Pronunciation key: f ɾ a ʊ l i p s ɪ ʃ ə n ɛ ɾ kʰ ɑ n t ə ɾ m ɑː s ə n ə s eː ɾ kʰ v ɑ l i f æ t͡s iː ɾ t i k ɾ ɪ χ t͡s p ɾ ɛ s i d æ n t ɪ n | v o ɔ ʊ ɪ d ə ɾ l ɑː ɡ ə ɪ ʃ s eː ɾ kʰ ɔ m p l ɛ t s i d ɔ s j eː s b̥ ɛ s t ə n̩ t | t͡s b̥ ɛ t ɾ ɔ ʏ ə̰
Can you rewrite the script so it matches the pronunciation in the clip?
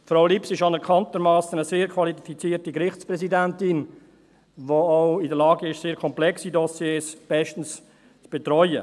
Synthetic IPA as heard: f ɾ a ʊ l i p s ɪ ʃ ɑ n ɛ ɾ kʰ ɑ n t ə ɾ m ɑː s ə n ə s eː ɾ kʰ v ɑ l i f i t͡s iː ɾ t i k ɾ ɪ χ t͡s p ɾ ɛ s i d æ n t ɪ n | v o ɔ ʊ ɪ d ə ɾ l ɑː ɡ ə ɪ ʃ s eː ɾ kʰ ɔ m p l ɛ k s i d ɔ s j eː s b̥ ɛ ʃ t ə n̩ s | t͡s b̥ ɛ t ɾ ɔ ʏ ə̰